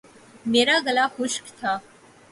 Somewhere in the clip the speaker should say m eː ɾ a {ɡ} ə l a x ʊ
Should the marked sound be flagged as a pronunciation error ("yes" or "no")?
no